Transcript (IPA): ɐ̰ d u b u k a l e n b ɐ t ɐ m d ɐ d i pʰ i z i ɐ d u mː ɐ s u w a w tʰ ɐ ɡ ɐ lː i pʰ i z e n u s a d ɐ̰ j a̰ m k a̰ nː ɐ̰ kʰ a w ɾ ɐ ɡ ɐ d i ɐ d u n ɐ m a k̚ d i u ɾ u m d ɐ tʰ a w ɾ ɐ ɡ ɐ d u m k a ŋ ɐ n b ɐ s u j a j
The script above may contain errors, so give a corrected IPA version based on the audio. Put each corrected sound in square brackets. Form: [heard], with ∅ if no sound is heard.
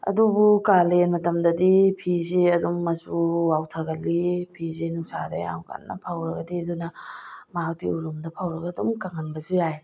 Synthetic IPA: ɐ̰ d u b u k a l e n [m] ɐ t ɐ m d ɐ d i pʰ i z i ɐ d u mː ɐ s u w a w tʰ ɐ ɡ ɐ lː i pʰ i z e n u s a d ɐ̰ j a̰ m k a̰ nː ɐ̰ [pʰ] a w ɾ ɐ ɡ ɐ d i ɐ d u n ɐ m a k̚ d i u ɾ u m d ɐ [pʰ] a w ɾ ɐ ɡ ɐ d u m k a ŋ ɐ n b ɐ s u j a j